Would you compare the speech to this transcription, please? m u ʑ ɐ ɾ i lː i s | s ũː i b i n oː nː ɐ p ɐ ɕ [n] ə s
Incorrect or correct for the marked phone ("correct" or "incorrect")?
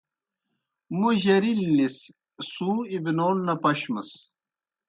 incorrect